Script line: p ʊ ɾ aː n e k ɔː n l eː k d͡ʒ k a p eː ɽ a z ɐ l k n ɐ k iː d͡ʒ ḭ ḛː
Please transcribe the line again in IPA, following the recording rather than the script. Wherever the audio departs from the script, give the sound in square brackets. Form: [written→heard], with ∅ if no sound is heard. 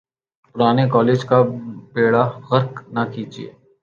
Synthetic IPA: p ʊ ɾ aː n e k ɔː [n→∅] l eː [k→∅] d͡ʒ k a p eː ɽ a [z→ɣ] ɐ [l→ɾ] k n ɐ k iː d͡ʒ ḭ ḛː